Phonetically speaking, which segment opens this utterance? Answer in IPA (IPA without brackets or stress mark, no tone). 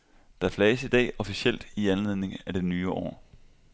d̥